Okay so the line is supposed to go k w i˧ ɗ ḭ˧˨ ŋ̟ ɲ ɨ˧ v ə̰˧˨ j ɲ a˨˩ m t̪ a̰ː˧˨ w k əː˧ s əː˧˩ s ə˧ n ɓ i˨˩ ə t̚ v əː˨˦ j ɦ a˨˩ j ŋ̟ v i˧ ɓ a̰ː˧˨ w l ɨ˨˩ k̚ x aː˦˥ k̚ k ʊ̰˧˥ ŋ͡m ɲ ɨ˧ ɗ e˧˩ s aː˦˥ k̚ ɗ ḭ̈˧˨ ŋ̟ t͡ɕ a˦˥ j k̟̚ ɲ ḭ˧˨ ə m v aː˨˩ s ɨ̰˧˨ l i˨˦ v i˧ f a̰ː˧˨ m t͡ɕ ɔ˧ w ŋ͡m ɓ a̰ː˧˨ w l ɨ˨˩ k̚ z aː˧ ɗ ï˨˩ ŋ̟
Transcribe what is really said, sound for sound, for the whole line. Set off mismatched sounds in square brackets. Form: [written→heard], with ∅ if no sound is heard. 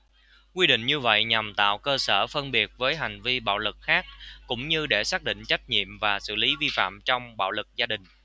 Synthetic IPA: k w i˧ ɗ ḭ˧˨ ŋ̟ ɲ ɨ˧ v ə̰˧˨ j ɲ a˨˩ m t̪ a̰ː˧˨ w k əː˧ s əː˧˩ [s→f] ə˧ n ɓ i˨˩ ə t̚ v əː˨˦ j ɦ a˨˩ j ŋ̟ v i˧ ɓ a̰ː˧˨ w l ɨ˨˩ k̚ x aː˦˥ k̚ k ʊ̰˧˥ ŋ͡m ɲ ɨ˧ ɗ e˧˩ s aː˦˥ k̚ ɗ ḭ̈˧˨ ŋ̟ t͡ɕ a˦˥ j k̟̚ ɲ ḭ˧˨ ə m v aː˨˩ s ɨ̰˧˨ l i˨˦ v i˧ f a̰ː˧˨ m t͡ɕ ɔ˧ w ŋ͡m ɓ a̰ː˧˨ w l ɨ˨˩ k̚ z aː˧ ɗ ï˨˩ ŋ̟